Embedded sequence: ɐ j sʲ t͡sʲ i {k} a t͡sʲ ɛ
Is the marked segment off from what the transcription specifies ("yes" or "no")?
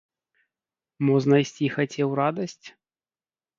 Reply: yes